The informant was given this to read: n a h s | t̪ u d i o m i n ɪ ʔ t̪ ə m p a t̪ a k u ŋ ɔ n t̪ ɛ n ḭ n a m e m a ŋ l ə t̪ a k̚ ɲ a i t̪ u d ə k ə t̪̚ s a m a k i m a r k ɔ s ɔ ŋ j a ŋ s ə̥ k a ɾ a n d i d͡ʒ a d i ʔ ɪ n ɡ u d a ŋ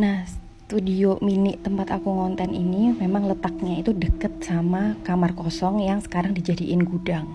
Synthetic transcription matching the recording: n a h s | t̪ u d i o m i n ɪ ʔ t̪ ə m p a t̪ a k u ŋ ɔ n t̪ ɛ n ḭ n i m e m a ŋ l ə t̪ a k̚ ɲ a i t̪ u d ə k ə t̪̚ s a m a k a m a r k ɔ s ɔ ŋ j a ŋ s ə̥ k a ɾ a ŋ d i d͡ʒ a d i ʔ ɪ n ɡ u d a ŋ